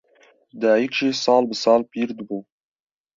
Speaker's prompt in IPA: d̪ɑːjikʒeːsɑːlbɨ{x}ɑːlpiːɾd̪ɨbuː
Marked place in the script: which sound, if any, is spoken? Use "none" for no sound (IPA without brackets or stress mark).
s